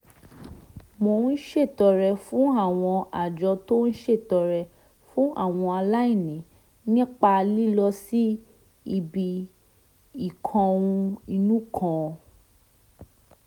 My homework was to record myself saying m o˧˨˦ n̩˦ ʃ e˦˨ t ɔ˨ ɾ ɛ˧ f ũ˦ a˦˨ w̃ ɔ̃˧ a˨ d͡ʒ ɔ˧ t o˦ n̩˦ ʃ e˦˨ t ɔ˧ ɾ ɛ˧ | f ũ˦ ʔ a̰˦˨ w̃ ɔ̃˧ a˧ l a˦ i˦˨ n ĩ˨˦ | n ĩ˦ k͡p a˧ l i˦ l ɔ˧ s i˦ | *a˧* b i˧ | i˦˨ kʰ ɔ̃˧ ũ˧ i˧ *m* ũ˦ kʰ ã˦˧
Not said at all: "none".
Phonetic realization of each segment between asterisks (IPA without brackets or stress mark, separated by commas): i˧, n